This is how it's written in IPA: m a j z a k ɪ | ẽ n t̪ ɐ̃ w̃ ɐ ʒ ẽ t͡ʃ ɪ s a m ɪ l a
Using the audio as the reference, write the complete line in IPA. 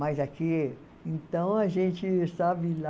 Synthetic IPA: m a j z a k i | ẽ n t̪ ɐ̃ w̃ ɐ ʒ ẽ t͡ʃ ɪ s a b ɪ l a